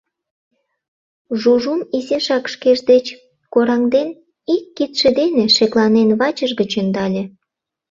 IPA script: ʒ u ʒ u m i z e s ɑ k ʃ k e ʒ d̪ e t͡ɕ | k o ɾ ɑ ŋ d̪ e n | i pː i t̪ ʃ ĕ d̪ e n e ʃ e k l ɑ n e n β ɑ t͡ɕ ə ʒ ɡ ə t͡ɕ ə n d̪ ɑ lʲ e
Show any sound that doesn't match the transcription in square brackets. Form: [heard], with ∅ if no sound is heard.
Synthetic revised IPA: ʒ u ʒ u m i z e [ʃ] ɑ k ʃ k e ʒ d̪ e t͡ɕ | k o ɾ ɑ ŋ d̪ e n | i [kː] i t̪ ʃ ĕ d̪ e n e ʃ e k l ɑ n e n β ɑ t͡ɕ ə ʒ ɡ ə t͡ɕ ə n d̪ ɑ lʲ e